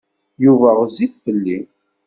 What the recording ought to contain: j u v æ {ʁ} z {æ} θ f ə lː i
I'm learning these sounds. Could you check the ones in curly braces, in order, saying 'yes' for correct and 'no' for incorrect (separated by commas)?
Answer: yes, no